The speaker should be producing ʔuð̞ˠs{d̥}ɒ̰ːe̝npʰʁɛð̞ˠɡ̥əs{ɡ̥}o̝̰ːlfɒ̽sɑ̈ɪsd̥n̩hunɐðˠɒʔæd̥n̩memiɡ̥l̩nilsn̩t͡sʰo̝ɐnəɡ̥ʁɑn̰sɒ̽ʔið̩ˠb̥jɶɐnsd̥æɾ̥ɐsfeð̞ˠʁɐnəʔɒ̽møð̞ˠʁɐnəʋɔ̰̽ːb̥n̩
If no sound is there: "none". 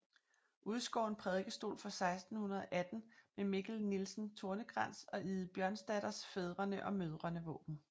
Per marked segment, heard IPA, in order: ɡ̥, d̥

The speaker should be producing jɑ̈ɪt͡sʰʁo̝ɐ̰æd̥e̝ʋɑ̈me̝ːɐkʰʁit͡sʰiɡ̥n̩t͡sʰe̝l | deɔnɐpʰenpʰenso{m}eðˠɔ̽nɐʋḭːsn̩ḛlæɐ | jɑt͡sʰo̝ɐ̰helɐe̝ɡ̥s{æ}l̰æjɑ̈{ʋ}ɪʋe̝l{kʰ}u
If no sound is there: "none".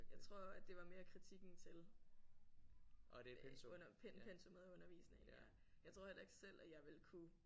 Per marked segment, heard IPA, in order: m, e, none, kʰ

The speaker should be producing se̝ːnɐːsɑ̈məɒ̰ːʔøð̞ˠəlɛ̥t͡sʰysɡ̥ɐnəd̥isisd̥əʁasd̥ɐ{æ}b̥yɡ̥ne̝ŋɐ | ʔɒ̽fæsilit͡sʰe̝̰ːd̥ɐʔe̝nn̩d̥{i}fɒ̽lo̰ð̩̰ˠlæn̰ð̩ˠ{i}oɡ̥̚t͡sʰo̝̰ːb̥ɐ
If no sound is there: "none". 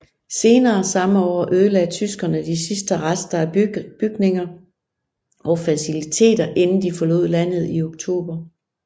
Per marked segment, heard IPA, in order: æ, i, i

